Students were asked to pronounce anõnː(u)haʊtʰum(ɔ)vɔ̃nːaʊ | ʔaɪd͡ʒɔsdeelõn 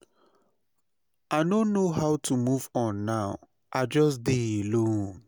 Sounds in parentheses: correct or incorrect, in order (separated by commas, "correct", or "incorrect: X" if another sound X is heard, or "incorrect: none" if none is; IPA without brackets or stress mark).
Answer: incorrect: o, incorrect: u